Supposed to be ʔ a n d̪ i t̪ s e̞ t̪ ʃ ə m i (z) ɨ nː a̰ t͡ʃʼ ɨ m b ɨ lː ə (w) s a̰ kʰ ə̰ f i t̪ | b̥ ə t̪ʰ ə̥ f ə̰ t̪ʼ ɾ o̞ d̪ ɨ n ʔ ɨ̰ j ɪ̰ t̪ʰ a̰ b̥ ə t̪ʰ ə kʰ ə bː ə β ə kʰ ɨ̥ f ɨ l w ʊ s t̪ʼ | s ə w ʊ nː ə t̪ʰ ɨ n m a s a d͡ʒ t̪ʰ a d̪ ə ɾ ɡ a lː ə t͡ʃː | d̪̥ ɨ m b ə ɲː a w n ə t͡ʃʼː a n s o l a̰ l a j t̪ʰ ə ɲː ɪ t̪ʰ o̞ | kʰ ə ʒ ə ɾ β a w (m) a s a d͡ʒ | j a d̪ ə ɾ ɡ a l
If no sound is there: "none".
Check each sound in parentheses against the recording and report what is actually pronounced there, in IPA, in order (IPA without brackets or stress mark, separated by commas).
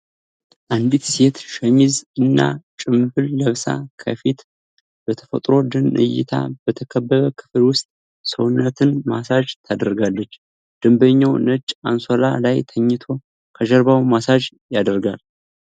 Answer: z, β, m